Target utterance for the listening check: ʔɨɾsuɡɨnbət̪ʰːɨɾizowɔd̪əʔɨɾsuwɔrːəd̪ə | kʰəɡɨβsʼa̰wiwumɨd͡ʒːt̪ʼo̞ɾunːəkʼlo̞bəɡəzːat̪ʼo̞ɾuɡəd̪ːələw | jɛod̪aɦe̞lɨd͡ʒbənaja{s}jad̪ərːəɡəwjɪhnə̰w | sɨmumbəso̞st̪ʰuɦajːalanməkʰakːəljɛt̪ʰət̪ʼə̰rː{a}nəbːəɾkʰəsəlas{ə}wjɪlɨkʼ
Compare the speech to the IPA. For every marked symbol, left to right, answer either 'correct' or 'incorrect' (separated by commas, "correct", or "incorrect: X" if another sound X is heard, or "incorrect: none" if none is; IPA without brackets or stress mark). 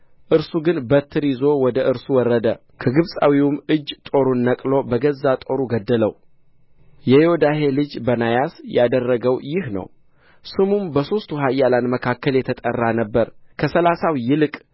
correct, correct, incorrect: a